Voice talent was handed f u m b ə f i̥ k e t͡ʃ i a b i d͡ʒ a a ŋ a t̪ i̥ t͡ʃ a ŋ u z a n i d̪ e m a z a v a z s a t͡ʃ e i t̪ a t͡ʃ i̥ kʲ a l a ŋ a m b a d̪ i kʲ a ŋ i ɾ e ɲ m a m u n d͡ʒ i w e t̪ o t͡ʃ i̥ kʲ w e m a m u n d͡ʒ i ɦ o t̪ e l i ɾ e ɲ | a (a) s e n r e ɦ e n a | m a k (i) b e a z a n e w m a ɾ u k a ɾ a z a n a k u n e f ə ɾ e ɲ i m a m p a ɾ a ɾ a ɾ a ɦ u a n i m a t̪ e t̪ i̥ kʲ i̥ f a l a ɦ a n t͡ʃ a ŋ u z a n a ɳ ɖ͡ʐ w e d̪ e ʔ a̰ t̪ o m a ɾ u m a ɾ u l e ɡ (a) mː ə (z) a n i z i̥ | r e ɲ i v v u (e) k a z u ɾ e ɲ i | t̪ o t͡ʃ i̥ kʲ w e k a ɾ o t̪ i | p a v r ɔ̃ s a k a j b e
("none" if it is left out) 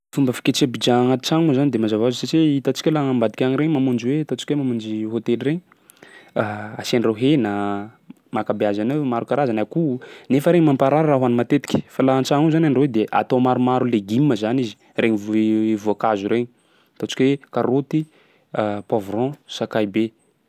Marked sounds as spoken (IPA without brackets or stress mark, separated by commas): a, a, i, z, a